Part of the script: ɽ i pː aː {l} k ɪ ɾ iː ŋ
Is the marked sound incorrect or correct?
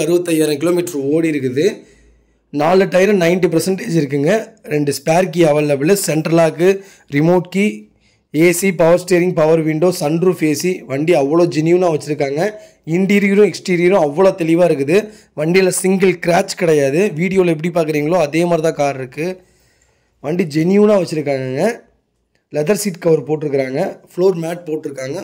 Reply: incorrect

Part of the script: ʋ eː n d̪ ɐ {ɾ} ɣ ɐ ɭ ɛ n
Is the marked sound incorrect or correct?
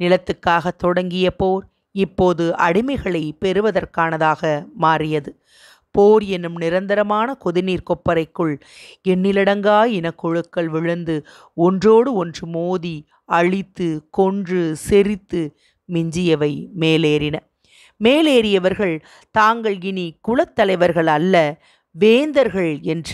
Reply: correct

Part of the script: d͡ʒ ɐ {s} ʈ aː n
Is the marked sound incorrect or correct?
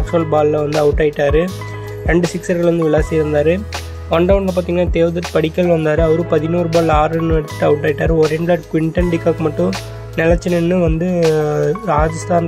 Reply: correct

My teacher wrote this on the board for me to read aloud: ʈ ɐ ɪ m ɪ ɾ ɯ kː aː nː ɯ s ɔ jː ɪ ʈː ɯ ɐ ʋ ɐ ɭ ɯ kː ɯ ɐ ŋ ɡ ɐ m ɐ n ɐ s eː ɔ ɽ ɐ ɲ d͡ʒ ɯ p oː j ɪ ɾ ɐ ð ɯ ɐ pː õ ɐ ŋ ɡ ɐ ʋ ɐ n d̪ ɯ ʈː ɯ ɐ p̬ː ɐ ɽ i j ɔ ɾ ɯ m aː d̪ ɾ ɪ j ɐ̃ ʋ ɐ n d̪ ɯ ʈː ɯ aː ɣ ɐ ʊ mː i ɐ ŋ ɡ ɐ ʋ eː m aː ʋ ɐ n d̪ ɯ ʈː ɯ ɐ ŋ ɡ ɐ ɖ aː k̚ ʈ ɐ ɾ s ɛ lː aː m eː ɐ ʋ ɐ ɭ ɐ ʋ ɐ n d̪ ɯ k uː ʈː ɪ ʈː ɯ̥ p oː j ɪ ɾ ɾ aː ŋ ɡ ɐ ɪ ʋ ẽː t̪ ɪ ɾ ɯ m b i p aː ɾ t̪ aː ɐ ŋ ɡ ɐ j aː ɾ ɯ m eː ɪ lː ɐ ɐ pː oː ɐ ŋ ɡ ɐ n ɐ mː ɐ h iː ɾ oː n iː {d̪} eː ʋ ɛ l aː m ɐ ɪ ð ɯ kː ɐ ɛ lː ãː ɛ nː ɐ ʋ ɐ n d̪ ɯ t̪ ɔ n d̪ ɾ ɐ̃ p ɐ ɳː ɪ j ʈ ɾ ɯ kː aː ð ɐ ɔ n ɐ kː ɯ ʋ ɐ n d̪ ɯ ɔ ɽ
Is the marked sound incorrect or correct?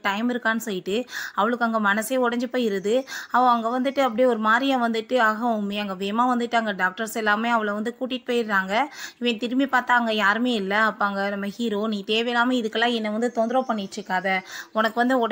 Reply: incorrect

